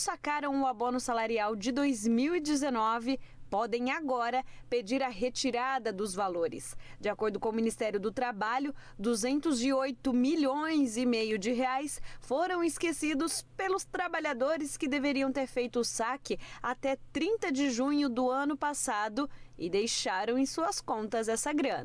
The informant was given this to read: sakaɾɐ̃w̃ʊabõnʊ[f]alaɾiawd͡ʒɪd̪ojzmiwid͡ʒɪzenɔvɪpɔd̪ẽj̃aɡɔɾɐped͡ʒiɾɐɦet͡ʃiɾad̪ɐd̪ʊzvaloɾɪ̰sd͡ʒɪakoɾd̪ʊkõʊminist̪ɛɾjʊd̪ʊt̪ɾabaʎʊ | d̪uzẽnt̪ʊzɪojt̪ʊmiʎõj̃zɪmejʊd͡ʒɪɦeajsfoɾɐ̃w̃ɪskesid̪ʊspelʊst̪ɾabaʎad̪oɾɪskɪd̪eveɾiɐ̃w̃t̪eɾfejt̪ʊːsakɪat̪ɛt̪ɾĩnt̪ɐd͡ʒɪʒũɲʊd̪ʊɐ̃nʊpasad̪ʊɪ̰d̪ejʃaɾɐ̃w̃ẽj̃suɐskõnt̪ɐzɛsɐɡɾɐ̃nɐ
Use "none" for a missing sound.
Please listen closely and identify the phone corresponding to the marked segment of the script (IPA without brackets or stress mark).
s